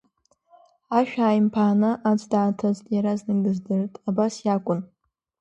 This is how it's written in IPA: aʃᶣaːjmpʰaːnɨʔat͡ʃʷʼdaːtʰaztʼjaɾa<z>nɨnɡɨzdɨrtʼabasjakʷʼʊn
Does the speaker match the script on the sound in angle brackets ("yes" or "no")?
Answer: yes